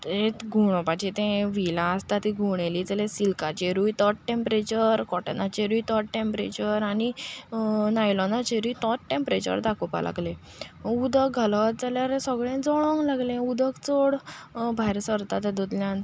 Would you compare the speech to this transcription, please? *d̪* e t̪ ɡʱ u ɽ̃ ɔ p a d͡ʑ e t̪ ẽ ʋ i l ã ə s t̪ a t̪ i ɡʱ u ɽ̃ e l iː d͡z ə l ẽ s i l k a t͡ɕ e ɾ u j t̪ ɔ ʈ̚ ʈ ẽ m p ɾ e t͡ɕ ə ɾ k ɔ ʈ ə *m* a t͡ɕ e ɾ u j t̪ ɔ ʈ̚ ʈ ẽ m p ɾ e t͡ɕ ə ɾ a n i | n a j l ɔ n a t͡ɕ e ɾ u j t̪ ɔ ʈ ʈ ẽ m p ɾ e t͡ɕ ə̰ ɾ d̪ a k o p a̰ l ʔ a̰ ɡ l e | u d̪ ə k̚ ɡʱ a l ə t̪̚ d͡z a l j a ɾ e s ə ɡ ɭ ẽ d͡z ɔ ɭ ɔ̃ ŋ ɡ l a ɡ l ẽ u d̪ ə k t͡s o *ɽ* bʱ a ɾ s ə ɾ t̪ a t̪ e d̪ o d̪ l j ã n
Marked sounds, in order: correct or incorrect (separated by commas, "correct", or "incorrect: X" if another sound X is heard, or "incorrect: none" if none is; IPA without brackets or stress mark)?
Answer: incorrect: t̪, incorrect: n, correct